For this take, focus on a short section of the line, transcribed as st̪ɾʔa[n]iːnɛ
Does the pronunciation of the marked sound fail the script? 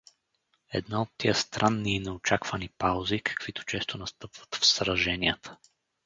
yes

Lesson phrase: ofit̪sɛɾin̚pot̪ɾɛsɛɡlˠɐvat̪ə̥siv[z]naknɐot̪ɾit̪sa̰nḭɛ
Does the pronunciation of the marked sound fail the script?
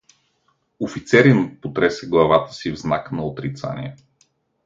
no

